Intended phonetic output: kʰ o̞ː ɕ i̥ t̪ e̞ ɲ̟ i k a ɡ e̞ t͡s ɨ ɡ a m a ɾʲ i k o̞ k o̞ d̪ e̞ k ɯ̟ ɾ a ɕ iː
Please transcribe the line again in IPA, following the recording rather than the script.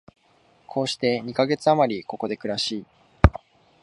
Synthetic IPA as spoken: kʰ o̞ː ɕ i̥ t̪ e̞ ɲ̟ i k a ɡ e̞ t͡s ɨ a m a ɾʲ i k o̞ k o̞ d̪ e̞ k ɯ̟ ɾ a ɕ iː